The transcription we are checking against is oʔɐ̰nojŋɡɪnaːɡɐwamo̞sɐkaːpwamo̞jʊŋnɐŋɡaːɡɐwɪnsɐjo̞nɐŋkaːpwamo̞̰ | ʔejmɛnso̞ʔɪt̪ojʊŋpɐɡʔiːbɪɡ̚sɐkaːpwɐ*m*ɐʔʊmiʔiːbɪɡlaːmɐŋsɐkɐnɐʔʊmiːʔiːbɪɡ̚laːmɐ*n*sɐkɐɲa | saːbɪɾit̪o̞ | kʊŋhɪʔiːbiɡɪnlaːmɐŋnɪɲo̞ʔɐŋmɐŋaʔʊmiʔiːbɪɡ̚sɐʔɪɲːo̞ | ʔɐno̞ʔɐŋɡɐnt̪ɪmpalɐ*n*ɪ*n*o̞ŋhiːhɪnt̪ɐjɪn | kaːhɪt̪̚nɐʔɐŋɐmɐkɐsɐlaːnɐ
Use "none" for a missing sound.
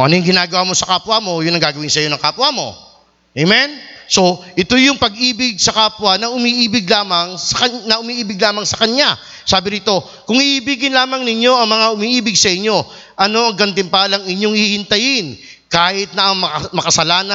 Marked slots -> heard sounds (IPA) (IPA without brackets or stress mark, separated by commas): n, ŋ, ŋ, ɲ